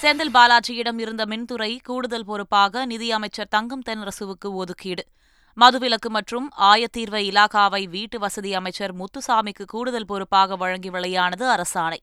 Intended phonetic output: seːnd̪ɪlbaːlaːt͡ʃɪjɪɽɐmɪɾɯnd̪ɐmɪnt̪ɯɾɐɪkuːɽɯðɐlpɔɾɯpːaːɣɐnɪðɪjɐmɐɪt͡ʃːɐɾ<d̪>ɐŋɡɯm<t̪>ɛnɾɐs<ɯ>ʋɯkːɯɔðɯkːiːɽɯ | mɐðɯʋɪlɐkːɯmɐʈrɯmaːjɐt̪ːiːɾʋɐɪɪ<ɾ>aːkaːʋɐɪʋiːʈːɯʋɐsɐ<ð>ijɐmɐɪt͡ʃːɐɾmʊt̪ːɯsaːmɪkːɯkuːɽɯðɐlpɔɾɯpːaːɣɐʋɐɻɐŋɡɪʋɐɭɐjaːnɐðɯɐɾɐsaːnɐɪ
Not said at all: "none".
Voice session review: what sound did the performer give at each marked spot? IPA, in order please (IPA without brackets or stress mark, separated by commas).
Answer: t̪, t̪, ɯ, l, ð